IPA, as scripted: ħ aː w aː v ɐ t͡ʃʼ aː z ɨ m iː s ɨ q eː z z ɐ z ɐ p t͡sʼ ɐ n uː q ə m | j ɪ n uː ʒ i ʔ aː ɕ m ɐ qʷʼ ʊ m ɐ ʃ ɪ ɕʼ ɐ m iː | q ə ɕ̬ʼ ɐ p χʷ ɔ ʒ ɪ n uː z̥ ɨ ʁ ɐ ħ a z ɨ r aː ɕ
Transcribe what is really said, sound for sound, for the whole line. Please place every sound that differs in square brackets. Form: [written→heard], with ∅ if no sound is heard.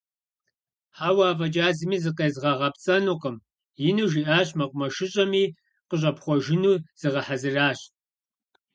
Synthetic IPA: ħ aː w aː v ɐ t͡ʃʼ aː z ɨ m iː [s→z] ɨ q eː z [z→ʁ] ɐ [z→ʁ] ɐ p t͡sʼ ɐ n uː q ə m | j ɪ n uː ʒ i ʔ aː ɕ m ɐ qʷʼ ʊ m ɐ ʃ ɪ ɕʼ ɐ m iː | q ə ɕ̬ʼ ɐ p χʷ ɔ ʒ ɪ n uː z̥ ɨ ʁ ɐ ħ a z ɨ r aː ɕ